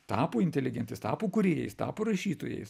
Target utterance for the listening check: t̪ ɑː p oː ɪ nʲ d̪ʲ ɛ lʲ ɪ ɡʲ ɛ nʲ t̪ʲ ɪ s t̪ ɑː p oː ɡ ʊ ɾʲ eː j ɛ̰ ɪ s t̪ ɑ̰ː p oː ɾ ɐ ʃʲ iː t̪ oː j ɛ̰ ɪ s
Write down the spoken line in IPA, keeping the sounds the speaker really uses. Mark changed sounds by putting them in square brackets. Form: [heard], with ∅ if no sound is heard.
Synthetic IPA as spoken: t̪ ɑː p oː ɪ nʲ [t̪ʲ] ɛ lʲ ɪ ɡʲ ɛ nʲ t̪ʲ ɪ s t̪ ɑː p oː [k] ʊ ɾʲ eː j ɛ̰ ɪ s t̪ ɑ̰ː p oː ɾ ɐ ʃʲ iː t̪ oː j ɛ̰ ɪ s